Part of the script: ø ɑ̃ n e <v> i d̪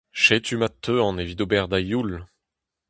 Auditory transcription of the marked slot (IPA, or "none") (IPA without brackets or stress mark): v